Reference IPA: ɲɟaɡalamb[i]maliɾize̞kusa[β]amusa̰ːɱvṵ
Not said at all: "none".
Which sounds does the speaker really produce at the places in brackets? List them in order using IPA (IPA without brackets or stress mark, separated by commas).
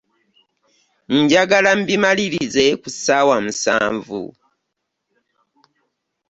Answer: i, w